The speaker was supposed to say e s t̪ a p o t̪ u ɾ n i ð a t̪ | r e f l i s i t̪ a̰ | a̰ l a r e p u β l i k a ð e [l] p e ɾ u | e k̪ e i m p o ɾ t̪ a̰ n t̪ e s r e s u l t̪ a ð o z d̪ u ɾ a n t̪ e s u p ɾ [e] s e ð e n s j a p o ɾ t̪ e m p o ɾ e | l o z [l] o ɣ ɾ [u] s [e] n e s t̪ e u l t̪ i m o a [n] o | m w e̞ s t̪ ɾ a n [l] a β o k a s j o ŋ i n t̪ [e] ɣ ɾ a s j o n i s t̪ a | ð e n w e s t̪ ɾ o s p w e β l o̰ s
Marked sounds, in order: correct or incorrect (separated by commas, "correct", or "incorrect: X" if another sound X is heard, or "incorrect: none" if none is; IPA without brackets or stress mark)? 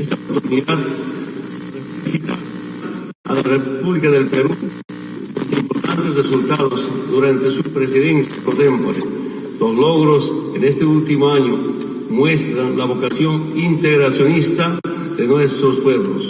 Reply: correct, correct, correct, incorrect: o, correct, incorrect: ɲ, correct, correct